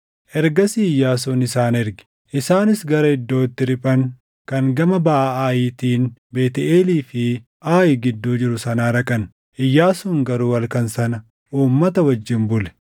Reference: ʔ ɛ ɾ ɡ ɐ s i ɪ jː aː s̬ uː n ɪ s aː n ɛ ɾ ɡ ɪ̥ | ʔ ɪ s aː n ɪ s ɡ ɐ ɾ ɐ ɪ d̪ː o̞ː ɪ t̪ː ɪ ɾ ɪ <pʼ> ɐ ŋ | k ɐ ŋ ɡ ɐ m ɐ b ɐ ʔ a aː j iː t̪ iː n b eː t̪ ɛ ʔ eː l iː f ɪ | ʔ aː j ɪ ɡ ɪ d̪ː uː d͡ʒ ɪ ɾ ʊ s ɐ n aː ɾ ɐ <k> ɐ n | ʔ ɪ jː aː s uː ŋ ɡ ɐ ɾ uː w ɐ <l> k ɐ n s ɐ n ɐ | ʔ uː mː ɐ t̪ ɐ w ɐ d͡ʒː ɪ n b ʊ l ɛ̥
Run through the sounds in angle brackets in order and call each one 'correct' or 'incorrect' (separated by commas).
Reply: correct, incorrect, correct